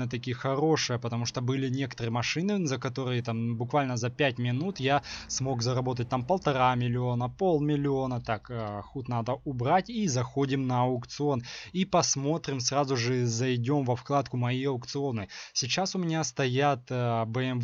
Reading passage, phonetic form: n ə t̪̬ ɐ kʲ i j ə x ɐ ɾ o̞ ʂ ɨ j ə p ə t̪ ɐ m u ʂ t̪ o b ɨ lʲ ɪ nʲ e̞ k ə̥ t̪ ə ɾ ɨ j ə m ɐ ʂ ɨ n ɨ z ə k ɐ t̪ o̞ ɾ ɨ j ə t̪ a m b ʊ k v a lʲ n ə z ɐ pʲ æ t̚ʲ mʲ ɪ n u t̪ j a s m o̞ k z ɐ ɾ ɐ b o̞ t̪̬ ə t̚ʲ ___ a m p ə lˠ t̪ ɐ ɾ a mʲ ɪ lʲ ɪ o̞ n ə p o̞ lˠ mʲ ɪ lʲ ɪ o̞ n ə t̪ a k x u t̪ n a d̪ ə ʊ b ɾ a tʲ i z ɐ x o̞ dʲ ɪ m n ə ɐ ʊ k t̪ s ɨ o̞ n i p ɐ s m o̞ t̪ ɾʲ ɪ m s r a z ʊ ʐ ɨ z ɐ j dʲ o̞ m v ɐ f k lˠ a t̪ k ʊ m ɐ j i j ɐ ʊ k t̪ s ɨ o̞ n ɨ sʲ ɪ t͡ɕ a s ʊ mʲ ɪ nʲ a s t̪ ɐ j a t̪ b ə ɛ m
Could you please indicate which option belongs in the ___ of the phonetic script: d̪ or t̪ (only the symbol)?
t̪